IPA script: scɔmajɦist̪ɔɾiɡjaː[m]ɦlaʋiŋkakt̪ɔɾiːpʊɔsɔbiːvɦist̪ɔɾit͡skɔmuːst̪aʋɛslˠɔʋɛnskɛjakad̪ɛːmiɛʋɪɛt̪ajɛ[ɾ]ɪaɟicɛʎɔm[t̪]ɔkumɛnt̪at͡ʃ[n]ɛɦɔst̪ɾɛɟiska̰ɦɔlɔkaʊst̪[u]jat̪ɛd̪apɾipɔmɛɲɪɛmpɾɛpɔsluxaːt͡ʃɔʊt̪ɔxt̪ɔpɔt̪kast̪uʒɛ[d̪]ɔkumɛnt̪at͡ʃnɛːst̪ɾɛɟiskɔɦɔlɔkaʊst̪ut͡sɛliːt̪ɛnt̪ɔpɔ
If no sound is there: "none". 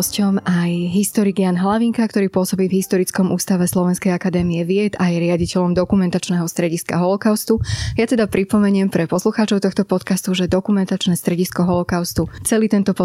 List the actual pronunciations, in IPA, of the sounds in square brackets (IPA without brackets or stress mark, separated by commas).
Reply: n, ɾ, d̪, n, u, d̪